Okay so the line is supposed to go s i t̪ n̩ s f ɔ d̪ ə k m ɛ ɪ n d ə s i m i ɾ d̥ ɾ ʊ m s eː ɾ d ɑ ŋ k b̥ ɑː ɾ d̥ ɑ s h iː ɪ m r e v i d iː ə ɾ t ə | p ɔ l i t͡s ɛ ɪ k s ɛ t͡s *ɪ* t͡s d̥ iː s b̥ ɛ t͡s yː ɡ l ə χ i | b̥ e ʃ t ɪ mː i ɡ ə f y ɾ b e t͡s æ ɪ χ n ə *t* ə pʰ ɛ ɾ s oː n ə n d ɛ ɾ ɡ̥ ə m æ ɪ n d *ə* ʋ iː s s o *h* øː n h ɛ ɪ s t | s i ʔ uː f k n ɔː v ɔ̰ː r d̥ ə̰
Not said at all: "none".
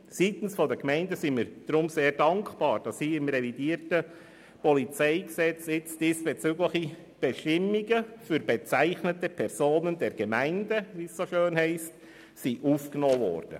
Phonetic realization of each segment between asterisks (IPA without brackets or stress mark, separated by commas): ɪ, t, ə, ʃ